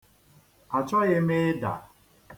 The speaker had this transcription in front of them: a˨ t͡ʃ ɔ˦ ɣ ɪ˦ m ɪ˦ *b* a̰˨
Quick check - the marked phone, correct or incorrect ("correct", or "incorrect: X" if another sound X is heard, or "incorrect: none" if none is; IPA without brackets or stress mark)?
incorrect: d